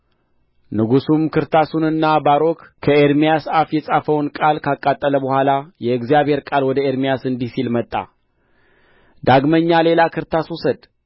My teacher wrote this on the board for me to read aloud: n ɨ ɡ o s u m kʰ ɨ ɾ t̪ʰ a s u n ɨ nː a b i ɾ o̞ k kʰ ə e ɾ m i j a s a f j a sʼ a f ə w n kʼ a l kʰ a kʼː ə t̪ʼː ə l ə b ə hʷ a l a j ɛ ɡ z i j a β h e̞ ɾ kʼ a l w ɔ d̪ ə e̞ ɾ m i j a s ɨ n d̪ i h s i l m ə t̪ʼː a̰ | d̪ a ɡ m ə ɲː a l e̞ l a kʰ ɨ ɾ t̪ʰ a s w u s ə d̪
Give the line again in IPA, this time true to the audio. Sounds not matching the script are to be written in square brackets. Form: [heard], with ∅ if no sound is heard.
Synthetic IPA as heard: n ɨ ɡ [u] s u m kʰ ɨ ɾ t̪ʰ a s u n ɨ nː a b [a] ɾ o̞ k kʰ ə e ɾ m i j a s a f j [ɛ] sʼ a f ə w n kʼ a l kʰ a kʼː [a] t̪ʼː ə l ə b ə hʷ a l a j ɛ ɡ z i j a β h e̞ ɾ kʼ a l w ɔ d̪ ə e̞ ɾ m i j a s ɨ n d̪ i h s i l m ə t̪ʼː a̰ | d̪ a ɡ m ə ɲː a l e̞ l a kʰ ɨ ɾ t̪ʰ a s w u s ə d̪

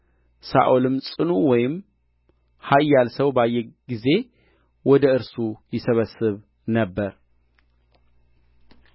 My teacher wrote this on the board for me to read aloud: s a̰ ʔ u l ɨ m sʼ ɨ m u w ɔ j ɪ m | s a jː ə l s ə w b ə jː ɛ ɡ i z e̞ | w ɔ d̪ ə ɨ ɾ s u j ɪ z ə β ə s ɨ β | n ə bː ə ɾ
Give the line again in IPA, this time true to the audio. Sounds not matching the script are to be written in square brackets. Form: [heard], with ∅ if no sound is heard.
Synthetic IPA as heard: s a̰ ʔ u l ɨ m sʼ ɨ [n] u w ɔ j ɪ m | [h] a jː [a] l s ə w b [a] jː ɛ ɡ i z e̞ | w ɔ d̪ ə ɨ ɾ s u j ɪ [s] ə β ə s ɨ β | n ə bː ə ɾ

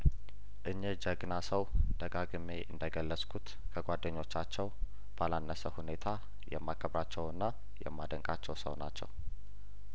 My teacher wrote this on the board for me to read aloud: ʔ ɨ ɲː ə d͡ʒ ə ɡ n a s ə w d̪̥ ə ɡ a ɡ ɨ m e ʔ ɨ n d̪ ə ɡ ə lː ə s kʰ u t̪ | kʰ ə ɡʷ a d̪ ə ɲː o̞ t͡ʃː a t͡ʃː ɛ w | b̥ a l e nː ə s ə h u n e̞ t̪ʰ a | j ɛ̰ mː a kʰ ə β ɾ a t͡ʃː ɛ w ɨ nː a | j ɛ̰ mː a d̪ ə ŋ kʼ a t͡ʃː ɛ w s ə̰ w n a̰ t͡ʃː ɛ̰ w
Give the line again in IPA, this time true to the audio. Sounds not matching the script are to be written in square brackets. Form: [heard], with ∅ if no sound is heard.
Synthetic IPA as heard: ʔ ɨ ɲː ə d͡ʒ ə ɡ n a s ə w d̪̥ ə ɡ a ɡ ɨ m e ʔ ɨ n d̪ ə ɡ ə lː ə s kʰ u t̪ | kʰ ə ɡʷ a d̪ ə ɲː o̞ t͡ʃː a t͡ʃː ɛ w | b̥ a l [a] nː ə s ə h u n e̞ t̪ʰ a | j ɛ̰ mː a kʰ ə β ɾ a t͡ʃː ɛ w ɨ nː a | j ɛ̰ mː a d̪ ə ŋ kʼ a t͡ʃː ɛ w s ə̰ w n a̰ t͡ʃː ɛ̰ w

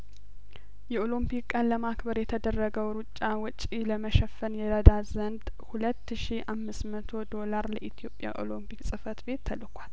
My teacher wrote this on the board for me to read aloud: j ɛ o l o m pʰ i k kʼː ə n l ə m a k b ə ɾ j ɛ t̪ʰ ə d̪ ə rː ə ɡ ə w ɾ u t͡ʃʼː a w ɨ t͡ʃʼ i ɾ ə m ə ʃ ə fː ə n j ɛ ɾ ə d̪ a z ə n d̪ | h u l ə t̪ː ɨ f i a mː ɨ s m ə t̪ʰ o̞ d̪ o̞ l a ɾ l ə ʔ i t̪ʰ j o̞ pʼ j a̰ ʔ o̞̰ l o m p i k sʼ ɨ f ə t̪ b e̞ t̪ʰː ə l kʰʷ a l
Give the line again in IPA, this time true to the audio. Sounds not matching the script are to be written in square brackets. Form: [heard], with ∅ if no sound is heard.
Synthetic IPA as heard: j ɛ o l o m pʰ i k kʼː ə n l ə m a k b ə ɾ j ɛ t̪ʰ ə d̪ ə rː ə ɡ ə w ɾ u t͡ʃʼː a w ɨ t͡ʃʼ i [l] ə m ə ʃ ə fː ə n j ɛ ɾ ə d̪ a z ə n d̪ | h u l ə t̪ː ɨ [ʃ] i a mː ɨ s m ə t̪ʰ o̞ d̪ o̞ l a ɾ l ə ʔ i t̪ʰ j o̞ pʼ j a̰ ʔ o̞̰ l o m p i k sʼ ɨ f ə t̪ b e̞ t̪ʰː ə l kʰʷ a l

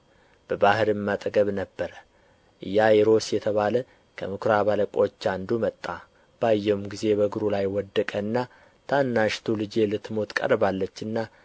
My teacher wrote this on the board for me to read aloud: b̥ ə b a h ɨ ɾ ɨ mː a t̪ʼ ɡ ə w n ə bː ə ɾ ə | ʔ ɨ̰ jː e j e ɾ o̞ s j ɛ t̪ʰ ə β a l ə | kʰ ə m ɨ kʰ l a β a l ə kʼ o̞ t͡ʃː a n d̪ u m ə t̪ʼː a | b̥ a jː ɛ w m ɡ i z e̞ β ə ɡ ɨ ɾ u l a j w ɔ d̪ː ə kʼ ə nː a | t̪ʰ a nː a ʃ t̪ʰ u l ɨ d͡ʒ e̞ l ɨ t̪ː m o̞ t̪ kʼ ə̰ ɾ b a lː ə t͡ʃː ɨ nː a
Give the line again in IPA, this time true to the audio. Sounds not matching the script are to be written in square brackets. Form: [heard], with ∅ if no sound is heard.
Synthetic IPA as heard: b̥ ə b a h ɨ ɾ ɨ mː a t̪ʼ ɡ ə [β] n ə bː ə ɾ ə | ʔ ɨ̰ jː [a] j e ɾ o̞ s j ɛ t̪ʰ ə β a l ə | kʰ ə m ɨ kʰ [ɾ] a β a l ə kʼ o̞ t͡ʃː a n d̪ u m ə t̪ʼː a | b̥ a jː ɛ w m ɡ i z e̞ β ə ɡ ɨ ɾ u l a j w ɔ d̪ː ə kʼ ə nː a | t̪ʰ a nː a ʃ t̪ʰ u l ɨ d͡ʒ e̞ l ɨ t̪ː m o̞ t̪ kʼ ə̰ ɾ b a lː ə t͡ʃː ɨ nː a

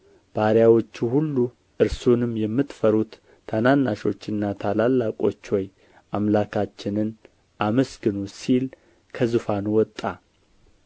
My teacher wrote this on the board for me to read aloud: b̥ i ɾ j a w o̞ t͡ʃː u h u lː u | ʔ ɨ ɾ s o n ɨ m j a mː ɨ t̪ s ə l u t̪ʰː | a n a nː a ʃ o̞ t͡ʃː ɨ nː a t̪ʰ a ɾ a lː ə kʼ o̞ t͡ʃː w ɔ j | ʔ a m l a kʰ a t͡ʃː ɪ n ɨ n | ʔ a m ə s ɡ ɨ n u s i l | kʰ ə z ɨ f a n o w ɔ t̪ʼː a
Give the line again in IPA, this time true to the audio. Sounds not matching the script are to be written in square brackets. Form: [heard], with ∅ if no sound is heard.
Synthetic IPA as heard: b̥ [a] ɾ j a w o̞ t͡ʃː u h u lː u | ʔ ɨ ɾ s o n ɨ m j [ɛ] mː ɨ t̪ [f] ə [ɾ] u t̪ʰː | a n a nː a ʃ o̞ t͡ʃː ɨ nː a t̪ʰ a [l] a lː [a] kʼ o̞ t͡ʃː w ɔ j | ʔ a m l a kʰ a t͡ʃː ɪ n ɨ n | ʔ a m ə s ɡ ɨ n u s i l | kʰ ə z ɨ f a n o w ɔ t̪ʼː a

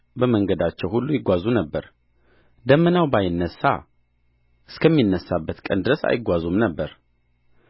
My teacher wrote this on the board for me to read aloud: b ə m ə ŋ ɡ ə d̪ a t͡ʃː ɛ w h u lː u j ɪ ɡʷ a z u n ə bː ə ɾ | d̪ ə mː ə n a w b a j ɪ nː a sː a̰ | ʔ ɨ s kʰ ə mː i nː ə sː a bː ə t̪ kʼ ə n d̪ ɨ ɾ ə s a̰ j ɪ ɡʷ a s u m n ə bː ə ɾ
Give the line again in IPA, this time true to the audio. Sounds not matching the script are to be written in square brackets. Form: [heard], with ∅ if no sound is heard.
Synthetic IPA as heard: b ə m ə ŋ ɡ ə d̪ a t͡ʃː ɛ w h u lː u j ɪ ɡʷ a z u n ə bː ə ɾ | d̪ ə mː ə n a w b a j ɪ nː [ə] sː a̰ | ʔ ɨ s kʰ ə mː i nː ə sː a bː ə t̪ kʼ ə n d̪ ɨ ɾ ə s a̰ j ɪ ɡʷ a [z] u m n ə bː ə ɾ

